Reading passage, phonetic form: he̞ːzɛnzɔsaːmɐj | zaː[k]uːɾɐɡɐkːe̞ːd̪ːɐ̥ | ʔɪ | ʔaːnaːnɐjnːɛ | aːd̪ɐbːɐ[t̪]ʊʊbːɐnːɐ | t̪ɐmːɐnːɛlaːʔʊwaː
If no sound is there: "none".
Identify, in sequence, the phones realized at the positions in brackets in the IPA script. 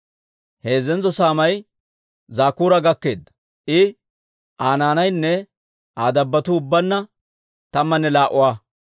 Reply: k, t̪

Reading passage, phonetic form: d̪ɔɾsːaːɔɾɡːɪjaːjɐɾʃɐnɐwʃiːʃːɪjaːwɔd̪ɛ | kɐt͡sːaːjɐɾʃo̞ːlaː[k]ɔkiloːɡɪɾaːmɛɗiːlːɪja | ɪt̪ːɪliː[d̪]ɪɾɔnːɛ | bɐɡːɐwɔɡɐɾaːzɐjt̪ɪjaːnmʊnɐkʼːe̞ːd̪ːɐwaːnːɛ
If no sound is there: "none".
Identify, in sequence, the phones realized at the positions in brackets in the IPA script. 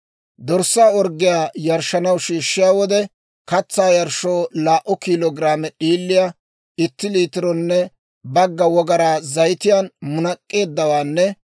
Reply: ʔ, t̪

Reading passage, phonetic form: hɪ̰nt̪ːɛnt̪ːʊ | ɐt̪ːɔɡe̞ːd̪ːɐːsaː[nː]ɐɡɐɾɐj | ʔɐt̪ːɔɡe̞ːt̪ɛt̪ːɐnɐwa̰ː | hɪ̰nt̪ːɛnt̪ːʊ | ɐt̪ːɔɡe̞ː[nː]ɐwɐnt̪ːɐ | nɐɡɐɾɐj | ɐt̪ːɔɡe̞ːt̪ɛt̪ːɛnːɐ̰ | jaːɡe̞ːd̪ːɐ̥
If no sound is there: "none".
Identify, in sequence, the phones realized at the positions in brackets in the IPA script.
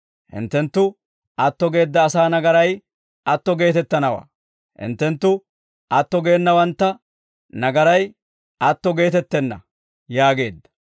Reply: n, nː

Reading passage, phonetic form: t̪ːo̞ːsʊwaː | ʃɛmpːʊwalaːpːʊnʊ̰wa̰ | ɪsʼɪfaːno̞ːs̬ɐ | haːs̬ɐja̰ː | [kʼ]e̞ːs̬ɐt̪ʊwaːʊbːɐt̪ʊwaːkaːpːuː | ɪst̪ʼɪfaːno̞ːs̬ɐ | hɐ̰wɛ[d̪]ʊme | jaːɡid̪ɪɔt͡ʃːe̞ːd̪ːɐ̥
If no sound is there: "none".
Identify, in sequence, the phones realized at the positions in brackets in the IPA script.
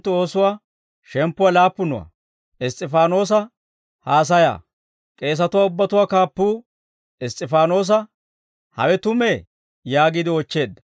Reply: kʼ, t̪

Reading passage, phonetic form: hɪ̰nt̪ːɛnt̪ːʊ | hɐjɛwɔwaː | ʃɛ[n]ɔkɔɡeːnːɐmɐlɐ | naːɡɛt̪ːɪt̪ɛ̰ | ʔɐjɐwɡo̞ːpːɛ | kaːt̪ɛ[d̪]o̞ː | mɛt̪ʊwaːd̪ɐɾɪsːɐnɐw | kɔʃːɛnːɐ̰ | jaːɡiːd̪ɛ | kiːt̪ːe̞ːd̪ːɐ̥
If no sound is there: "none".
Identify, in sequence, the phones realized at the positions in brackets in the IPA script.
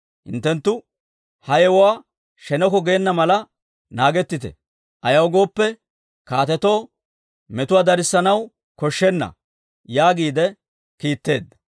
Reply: n, t̪

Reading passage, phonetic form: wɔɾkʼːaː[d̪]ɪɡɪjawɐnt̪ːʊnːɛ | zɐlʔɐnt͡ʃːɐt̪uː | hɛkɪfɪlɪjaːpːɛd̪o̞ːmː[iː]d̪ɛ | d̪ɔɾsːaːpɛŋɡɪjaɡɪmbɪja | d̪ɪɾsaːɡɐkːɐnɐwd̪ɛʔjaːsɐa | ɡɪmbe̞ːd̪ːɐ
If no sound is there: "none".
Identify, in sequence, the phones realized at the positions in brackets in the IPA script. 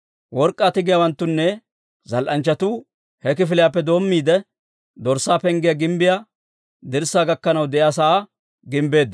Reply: t̪, iː

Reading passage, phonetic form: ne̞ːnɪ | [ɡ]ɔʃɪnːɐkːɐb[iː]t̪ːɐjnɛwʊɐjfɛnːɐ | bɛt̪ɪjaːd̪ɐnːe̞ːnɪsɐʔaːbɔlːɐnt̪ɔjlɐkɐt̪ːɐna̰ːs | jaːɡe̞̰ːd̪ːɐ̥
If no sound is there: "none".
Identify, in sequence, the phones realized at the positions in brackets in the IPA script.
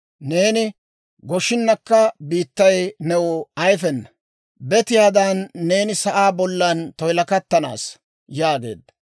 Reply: ɡ, iː

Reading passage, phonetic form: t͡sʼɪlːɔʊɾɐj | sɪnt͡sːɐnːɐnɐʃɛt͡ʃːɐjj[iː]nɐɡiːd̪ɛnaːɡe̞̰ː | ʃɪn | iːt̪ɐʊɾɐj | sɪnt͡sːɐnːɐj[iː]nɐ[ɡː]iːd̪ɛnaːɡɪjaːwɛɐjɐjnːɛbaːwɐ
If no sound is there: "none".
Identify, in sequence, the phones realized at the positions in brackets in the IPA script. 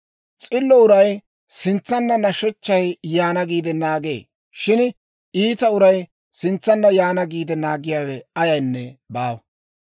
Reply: aː, aː, ɡ

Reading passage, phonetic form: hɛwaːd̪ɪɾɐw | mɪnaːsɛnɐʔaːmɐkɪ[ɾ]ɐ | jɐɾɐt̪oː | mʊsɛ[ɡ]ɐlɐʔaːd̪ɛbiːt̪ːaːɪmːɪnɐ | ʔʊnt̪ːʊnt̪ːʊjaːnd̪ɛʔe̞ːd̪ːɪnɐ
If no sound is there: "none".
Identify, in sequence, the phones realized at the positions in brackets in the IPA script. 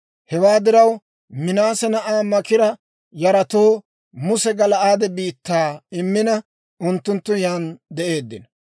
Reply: ɾ, ɡ

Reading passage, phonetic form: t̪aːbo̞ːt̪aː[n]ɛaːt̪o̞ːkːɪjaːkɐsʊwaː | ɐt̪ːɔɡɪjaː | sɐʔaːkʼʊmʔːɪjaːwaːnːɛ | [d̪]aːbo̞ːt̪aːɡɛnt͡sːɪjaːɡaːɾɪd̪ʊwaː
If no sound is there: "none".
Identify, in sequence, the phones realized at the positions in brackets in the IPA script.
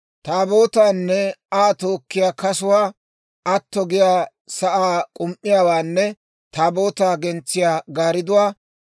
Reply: nː, t̪

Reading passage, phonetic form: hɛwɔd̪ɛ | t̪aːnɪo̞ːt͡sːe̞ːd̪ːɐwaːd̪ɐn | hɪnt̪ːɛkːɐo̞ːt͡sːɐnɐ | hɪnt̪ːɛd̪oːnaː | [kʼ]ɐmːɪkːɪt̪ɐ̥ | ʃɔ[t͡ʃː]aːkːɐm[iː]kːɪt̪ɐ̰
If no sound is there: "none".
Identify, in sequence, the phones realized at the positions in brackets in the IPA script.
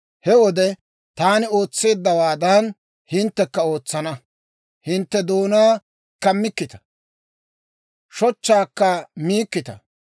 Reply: k, t͡ʃː, iː

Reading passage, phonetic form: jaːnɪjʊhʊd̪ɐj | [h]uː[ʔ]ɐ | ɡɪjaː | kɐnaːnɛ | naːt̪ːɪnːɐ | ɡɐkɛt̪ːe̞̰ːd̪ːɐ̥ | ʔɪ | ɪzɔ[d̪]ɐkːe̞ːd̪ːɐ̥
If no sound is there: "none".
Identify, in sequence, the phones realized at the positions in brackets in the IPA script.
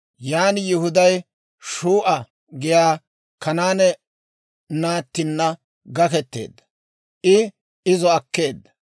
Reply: ʃ, ʔ, none

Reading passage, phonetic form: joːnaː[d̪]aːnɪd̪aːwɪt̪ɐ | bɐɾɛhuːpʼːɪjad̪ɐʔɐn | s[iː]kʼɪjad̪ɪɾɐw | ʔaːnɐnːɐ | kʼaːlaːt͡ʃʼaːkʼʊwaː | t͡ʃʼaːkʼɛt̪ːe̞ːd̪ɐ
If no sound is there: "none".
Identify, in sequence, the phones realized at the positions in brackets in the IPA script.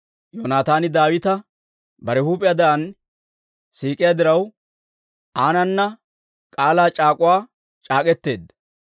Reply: t̪, iː

